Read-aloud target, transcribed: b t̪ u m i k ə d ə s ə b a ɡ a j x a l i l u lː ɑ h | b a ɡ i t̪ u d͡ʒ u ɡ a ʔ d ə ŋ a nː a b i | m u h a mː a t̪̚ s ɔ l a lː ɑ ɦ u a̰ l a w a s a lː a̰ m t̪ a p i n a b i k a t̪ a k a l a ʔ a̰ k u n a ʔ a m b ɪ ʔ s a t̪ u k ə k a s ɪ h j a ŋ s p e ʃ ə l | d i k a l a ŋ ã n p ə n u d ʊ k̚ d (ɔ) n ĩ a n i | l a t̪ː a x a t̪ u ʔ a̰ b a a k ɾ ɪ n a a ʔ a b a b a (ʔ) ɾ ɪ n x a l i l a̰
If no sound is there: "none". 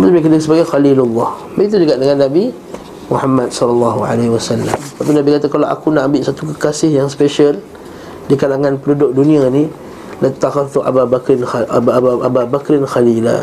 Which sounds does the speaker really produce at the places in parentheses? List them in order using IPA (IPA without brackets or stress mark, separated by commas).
u, k